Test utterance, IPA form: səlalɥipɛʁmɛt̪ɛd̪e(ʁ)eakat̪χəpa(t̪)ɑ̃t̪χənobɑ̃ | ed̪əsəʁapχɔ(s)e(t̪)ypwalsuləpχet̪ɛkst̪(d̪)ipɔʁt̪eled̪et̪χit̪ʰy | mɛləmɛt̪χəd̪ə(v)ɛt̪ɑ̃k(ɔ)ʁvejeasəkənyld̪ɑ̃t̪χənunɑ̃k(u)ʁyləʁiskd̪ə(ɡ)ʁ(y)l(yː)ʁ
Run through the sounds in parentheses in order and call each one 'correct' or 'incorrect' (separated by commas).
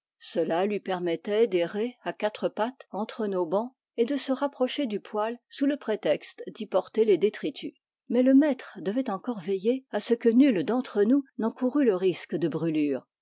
correct, correct, incorrect, incorrect, correct, correct, correct, correct, incorrect, correct, correct